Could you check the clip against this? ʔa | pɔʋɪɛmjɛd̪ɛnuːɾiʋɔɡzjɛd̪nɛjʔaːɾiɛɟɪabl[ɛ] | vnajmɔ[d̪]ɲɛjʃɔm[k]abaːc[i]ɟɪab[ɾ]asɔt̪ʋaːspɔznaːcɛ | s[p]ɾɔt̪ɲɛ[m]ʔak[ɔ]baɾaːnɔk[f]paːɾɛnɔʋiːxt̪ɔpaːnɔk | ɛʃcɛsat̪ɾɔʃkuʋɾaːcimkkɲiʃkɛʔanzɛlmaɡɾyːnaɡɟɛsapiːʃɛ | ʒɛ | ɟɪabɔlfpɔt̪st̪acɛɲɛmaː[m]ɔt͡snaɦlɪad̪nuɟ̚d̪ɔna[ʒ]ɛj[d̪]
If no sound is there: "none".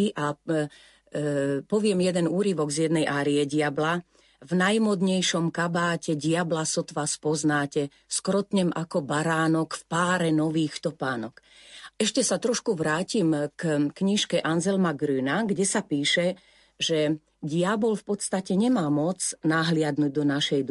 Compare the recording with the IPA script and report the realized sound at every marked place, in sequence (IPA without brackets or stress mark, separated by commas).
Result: a, d̪, k, ɛ, l, k, m, ɔ, f, m, ʃ, d̪